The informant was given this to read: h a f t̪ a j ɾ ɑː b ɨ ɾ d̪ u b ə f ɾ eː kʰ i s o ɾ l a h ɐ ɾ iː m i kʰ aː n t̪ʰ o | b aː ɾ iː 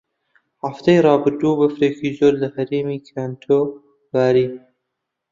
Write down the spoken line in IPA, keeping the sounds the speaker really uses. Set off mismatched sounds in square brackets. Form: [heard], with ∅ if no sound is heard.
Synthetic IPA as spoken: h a f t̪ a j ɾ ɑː b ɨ ɾ d̪ u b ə f ɾ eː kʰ i [z] o ɾ l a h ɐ ɾ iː m i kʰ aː n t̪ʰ o | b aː ɾ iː